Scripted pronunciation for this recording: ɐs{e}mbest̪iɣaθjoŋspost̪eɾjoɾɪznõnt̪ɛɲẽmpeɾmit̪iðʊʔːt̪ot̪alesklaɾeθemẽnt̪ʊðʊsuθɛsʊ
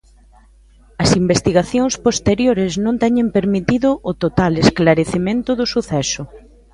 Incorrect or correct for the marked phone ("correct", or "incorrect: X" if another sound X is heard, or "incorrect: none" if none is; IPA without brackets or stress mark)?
incorrect: i